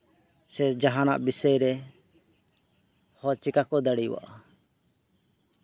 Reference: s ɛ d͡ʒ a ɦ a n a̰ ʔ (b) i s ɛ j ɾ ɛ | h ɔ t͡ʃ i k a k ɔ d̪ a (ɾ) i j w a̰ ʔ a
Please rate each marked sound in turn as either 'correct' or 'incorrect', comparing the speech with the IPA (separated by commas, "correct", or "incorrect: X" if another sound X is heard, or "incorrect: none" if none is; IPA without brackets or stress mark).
correct, incorrect: ɽ